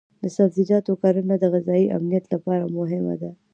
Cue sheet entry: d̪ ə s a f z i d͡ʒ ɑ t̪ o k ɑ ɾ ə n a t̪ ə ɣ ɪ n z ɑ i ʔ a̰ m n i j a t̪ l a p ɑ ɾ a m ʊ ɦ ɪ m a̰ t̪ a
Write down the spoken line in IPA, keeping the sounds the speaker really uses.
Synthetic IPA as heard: d̪ ə s a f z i d͡ʒ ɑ t̪ o k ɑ ɾ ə n a d̪ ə ɣ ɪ z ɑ i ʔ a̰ m n i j a t̪ l a p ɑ ɾ a m ʊ ɦ ɪ m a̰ d̪ a